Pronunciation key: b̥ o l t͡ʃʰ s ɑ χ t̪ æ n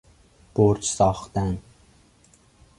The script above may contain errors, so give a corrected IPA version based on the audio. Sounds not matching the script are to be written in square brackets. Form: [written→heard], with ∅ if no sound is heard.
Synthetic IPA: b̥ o [l→ɾ] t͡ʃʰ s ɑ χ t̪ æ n